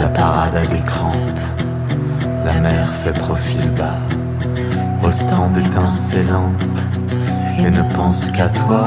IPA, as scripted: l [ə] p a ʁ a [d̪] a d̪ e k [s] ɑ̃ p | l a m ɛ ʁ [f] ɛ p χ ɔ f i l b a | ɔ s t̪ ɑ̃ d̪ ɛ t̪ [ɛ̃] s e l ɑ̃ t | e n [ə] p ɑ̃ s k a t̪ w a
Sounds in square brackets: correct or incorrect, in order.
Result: incorrect, correct, incorrect, correct, correct, correct

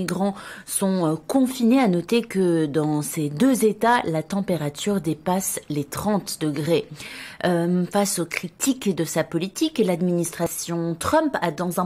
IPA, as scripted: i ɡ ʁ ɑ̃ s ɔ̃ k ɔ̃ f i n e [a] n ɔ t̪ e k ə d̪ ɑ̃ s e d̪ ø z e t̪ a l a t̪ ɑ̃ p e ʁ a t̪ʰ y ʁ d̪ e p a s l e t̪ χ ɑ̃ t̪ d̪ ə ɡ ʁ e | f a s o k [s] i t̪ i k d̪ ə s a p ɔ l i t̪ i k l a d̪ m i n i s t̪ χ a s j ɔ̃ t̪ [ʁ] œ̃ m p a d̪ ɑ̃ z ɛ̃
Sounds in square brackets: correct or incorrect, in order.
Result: correct, incorrect, incorrect

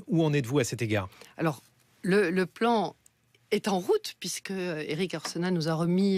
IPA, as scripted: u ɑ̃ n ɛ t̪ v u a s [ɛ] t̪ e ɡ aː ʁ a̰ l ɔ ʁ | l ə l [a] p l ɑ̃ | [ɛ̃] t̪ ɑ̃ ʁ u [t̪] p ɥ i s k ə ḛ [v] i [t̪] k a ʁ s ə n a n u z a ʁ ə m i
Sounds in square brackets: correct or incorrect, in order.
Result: correct, incorrect, incorrect, correct, incorrect, incorrect

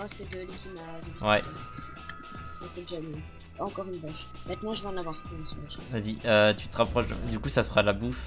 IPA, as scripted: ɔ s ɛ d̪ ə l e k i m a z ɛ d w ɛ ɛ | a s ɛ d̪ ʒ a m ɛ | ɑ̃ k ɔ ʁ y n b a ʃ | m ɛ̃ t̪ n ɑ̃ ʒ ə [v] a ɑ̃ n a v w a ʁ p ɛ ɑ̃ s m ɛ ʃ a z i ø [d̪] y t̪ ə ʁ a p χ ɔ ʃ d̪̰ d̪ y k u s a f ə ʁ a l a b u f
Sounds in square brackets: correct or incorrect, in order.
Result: correct, incorrect

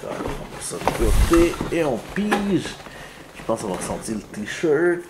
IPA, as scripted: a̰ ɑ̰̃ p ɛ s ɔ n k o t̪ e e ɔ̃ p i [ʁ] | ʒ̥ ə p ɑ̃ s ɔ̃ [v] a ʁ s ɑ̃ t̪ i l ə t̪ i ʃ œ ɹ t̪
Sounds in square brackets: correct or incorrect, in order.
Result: incorrect, correct

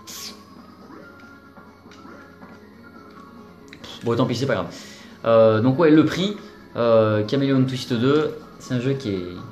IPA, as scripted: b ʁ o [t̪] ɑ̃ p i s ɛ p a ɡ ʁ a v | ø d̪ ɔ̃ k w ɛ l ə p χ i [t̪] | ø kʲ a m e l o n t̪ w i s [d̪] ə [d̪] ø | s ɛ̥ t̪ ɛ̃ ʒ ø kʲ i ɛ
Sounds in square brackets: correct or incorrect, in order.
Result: correct, incorrect, incorrect, correct

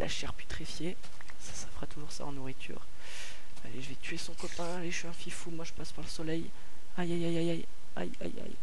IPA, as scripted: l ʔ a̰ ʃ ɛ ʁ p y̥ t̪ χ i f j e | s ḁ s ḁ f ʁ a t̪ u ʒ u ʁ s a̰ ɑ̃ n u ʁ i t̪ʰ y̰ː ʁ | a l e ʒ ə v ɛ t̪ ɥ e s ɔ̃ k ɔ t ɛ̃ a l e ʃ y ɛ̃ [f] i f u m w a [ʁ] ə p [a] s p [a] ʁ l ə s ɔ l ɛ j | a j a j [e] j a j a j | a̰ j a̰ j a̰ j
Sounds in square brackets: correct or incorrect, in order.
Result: correct, incorrect, correct, correct, incorrect

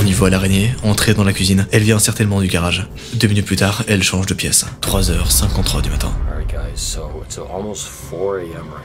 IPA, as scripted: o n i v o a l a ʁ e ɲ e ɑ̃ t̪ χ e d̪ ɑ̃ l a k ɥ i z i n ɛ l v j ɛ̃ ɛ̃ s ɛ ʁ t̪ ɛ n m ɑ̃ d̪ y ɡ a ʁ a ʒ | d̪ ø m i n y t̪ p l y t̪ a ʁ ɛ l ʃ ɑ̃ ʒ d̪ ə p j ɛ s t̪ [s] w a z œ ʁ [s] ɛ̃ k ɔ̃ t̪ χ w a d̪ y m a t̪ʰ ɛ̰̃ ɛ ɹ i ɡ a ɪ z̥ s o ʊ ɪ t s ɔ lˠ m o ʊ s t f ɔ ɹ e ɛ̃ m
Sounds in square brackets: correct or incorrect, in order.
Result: incorrect, correct

